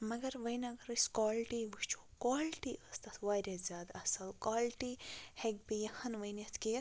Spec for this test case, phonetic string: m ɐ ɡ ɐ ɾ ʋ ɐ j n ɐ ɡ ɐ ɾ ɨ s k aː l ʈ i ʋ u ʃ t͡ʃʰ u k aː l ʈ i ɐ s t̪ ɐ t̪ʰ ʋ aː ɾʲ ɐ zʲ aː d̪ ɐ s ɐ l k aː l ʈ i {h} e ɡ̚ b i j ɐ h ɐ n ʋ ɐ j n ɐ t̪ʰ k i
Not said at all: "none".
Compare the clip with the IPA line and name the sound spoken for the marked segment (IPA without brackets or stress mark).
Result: h